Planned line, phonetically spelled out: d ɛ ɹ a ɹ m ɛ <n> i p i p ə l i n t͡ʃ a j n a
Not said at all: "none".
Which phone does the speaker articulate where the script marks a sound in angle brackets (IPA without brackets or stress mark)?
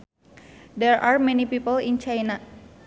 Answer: n